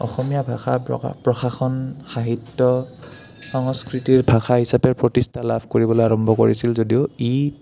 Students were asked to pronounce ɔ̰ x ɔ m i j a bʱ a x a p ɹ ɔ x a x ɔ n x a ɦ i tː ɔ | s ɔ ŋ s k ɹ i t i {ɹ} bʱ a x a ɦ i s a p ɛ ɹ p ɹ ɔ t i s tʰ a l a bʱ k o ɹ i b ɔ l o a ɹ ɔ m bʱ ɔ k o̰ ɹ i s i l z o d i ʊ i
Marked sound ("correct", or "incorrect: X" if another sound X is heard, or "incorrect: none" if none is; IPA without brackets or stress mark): correct